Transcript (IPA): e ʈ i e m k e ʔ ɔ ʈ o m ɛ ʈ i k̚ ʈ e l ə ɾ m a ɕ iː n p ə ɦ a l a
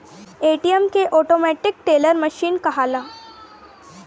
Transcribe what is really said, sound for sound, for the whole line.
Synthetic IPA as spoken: e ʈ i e m k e ʔ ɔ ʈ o m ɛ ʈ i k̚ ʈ e l ə ɾ m ə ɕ iː n k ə ɦ a l a